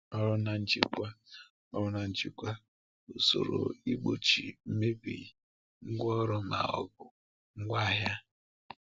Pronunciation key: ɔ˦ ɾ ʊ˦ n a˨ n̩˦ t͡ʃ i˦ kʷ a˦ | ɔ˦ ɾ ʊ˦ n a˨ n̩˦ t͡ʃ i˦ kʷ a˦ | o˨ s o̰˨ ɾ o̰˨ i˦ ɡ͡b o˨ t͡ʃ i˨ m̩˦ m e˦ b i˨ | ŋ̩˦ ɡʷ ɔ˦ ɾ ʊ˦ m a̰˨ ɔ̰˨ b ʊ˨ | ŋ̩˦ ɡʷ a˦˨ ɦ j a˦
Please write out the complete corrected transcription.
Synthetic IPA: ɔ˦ ɾ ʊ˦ n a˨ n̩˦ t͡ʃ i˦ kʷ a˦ | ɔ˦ ɾ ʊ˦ n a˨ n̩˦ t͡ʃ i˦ kʷ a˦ | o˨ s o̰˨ ɾ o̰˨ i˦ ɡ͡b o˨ t͡ʃ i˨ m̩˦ m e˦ b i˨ | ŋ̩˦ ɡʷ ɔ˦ ɾ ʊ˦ m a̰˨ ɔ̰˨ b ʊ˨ | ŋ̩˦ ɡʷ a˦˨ ɦ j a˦